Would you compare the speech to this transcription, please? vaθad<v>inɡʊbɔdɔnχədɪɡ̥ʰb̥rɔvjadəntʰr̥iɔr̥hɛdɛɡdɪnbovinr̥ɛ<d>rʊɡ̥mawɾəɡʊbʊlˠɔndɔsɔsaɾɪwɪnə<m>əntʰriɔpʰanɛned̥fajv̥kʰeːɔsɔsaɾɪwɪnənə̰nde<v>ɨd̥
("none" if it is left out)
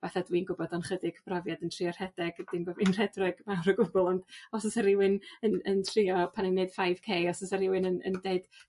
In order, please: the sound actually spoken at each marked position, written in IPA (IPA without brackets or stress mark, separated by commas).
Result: w, d, n, none